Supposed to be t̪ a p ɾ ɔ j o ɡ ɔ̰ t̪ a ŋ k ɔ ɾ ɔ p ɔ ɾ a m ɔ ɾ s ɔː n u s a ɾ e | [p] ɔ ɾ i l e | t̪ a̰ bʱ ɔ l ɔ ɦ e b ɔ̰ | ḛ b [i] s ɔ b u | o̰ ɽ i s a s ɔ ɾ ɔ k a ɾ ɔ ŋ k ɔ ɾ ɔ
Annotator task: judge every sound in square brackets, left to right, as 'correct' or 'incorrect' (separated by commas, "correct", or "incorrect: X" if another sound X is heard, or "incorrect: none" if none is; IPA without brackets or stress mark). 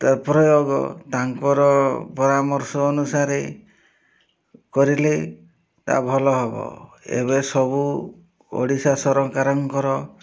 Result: incorrect: k, incorrect: e